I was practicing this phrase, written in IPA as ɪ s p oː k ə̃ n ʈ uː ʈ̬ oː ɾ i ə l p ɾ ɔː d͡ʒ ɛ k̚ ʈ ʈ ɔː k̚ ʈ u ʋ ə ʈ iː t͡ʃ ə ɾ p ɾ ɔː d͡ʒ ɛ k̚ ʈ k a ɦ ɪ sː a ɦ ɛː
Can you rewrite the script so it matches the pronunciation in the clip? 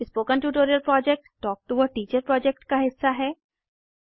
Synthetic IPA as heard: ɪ s p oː k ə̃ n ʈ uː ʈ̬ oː ɾ i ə l p ɾ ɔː d͡ʒ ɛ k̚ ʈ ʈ ɔː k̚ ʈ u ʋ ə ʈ iː t͡ʃ ə ɾ p ɾ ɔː d͡ʒ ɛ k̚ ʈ k a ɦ ɪ sː a ɦ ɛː